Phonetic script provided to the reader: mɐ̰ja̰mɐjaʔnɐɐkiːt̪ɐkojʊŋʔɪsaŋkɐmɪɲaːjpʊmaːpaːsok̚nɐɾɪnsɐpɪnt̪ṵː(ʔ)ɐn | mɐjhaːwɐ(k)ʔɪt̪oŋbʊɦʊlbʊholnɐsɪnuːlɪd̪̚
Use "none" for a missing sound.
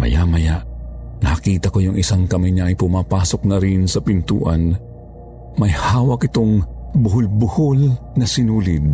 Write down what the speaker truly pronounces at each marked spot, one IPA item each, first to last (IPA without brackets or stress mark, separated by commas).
ʔ, k